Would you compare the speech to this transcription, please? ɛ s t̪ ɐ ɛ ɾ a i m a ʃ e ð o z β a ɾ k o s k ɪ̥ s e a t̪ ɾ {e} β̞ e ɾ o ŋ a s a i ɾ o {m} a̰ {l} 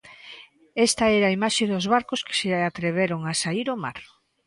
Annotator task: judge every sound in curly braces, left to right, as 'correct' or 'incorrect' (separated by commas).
correct, correct, incorrect